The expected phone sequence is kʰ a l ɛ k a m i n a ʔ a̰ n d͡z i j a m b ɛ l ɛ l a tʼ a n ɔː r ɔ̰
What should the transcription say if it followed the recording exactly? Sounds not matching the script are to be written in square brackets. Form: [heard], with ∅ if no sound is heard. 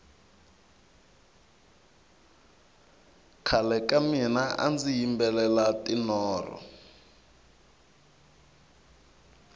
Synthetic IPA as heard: kʰ a l ɛ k a m i n a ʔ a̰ n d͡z i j [i] m b ɛ l ɛ l a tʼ [i] n ɔː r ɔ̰